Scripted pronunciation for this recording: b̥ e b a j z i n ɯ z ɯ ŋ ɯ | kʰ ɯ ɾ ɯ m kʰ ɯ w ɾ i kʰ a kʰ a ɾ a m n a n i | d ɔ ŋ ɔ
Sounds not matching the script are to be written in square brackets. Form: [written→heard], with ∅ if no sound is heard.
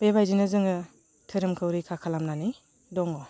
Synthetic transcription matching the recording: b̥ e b a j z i n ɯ z ɯ ŋ ɯ | [kʰ→tʰ] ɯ ɾ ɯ m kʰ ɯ w ɾ i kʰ a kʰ a [ɾ→l] a m n a n i | d ɔ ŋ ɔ